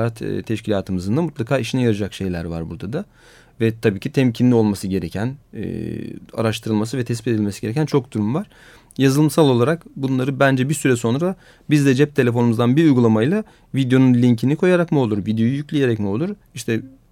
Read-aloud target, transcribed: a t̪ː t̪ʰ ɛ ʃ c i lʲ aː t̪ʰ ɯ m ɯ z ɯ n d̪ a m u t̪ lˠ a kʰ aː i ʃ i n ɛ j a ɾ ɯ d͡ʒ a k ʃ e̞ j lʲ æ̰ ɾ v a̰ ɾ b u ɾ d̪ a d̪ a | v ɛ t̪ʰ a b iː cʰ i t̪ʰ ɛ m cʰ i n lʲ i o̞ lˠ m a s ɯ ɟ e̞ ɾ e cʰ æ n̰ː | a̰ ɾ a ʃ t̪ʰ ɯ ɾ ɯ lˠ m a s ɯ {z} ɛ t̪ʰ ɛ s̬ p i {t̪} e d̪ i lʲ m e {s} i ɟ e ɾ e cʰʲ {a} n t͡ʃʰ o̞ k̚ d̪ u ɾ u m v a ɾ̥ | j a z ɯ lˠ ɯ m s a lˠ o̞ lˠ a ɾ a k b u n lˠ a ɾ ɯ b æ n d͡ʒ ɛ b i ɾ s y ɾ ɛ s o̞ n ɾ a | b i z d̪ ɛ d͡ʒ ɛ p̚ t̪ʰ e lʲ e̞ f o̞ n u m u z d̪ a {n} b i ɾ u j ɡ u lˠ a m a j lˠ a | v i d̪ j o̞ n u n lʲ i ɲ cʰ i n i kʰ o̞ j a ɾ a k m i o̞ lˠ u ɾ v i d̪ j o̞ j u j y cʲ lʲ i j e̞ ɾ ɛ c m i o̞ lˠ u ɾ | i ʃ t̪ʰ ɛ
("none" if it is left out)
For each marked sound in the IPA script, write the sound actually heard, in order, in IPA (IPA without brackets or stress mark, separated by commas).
v, t̪, s, æ, n